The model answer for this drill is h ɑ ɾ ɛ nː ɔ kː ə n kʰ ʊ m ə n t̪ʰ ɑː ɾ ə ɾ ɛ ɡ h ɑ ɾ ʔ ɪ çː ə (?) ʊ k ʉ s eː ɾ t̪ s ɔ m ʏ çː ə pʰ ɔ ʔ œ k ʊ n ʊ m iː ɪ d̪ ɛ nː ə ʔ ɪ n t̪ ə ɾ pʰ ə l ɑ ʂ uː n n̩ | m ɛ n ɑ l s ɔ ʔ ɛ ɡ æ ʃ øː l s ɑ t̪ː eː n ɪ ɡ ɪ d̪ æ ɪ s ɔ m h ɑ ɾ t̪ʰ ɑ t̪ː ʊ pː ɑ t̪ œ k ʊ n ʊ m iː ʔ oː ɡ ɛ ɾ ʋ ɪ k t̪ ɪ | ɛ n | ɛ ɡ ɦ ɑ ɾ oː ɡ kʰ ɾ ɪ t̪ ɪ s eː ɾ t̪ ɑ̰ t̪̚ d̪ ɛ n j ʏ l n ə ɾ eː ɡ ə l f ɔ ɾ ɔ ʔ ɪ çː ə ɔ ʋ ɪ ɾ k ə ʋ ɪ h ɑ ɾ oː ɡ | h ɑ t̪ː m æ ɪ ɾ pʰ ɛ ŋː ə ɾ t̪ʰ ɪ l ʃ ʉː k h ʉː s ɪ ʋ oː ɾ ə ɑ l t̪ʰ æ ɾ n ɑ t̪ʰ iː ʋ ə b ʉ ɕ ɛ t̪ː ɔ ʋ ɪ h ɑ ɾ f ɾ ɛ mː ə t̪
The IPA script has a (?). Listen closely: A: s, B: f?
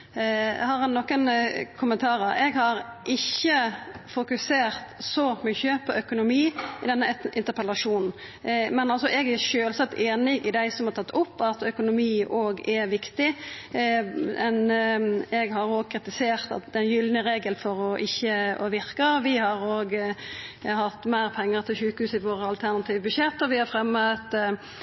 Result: B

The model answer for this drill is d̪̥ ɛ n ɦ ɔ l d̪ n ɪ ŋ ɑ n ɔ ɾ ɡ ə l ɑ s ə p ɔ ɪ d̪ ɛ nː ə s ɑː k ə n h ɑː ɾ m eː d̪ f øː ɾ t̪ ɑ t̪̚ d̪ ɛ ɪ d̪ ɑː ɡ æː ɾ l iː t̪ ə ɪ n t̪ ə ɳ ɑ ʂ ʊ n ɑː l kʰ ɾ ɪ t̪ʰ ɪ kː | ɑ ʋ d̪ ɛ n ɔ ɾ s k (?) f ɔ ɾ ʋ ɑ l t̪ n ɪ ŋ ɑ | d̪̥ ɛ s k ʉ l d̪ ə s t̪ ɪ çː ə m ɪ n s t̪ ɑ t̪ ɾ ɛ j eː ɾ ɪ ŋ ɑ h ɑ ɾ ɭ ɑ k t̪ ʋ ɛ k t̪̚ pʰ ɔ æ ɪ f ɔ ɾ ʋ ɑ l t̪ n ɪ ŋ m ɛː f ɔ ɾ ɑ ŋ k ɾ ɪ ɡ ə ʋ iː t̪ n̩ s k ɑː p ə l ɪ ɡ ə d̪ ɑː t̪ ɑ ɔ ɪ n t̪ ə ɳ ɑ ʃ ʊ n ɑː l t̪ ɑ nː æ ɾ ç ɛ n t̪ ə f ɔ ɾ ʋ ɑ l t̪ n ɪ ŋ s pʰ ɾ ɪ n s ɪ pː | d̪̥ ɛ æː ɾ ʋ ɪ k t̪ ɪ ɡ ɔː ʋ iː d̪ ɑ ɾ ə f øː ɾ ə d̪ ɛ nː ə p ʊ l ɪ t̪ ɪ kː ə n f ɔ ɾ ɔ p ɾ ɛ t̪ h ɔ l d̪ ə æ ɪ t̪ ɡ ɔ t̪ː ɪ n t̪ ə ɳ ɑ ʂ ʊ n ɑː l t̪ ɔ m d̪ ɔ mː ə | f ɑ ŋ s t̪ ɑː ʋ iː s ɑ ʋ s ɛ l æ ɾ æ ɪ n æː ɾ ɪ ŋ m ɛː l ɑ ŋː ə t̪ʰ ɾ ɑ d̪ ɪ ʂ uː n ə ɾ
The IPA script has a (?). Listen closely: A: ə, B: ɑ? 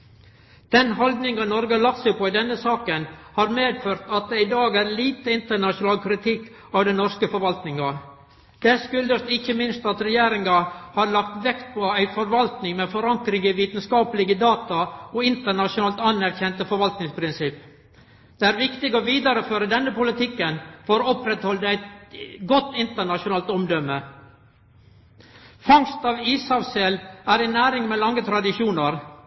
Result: A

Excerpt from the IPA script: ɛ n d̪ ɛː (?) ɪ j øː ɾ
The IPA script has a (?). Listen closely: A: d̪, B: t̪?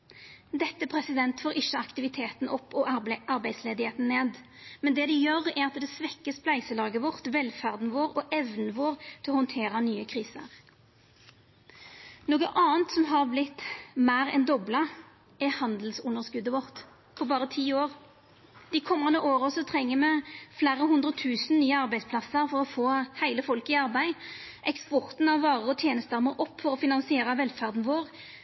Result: A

